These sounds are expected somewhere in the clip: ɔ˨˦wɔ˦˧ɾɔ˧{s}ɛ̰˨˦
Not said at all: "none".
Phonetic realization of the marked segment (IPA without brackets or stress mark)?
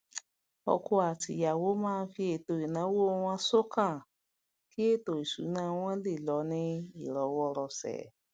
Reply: s